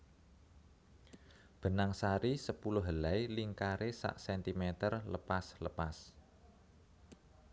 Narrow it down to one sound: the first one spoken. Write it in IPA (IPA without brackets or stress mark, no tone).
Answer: b̥